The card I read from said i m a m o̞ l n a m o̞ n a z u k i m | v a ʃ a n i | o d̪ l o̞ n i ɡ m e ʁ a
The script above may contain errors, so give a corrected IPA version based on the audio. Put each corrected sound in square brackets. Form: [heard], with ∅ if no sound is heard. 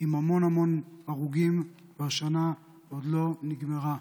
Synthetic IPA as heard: i m a m o̞ [∅] n a m o̞ n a [ʁ] u [ɡ] i m | v a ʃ a n [a] | o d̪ l o̞ n i ɡ m e ʁ a